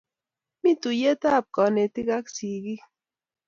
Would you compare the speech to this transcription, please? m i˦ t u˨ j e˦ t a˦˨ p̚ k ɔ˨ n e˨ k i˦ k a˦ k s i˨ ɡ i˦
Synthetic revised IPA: m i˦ t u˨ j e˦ t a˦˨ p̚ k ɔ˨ n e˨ t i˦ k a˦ k s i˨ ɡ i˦